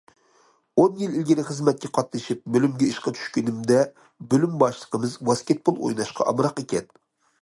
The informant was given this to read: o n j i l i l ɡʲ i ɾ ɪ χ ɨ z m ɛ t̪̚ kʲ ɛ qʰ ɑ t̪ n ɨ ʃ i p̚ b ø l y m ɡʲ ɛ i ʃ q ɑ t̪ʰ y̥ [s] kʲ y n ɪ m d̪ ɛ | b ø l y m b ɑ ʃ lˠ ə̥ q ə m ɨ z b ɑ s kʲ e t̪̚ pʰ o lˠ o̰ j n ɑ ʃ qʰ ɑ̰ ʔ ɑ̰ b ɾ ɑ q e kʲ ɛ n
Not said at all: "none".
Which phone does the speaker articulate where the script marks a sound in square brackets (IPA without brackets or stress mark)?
ʃ